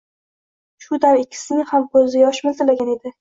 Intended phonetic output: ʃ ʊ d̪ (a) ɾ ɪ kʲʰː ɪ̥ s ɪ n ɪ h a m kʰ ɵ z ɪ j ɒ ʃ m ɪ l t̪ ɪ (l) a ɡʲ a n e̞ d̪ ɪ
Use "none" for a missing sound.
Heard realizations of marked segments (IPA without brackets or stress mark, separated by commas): a, l